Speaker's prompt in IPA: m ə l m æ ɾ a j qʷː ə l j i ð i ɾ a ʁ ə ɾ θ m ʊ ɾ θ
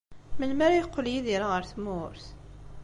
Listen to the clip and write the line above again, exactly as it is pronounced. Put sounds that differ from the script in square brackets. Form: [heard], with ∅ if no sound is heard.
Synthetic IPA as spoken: m ə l m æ ɾ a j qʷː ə l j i ð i ɾ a ʁ ə ɾ θ m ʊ ɾ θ